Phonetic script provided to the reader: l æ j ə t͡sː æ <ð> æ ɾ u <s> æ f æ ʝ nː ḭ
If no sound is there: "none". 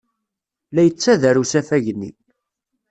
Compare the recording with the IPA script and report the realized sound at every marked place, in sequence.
ð, s

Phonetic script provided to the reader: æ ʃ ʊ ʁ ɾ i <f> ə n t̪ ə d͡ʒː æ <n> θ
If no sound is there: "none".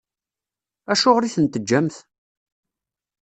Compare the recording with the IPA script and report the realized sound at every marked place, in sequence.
θ, m

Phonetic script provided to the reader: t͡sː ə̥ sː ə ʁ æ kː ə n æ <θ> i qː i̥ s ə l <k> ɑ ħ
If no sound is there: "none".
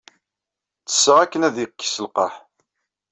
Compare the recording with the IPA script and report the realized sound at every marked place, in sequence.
ð, q

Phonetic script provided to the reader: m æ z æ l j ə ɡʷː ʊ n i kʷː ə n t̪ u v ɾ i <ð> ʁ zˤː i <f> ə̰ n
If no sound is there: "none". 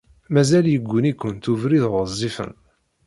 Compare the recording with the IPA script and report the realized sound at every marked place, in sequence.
ð, f

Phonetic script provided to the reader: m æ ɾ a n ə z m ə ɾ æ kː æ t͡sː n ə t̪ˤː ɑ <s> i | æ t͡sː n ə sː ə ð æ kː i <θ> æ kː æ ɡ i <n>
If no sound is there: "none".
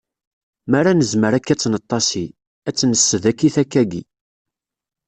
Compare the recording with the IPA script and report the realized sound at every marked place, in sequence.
s, θ, none

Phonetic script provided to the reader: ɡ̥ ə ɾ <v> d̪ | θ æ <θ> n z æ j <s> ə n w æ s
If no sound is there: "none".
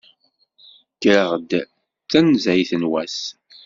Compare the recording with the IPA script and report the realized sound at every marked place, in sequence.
ʁ, none, θ

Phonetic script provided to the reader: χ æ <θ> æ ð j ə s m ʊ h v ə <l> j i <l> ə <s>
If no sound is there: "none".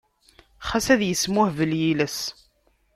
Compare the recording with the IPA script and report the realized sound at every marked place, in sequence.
s, l, l, s

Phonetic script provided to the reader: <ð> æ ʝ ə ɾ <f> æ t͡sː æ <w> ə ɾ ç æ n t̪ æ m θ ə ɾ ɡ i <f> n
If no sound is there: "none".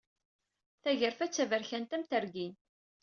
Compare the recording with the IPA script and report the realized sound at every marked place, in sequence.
θ, f, v, none

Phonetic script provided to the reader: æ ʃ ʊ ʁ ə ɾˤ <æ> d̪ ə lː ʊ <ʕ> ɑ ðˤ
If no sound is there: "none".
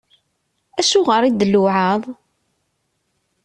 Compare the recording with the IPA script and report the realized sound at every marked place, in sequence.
i, ʕ

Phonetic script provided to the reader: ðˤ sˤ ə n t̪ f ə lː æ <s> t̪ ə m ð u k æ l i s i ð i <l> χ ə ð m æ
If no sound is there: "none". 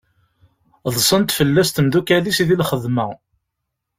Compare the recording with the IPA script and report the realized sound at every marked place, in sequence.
s, l

